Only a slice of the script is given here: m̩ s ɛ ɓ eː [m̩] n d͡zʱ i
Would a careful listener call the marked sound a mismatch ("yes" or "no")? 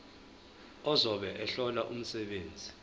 yes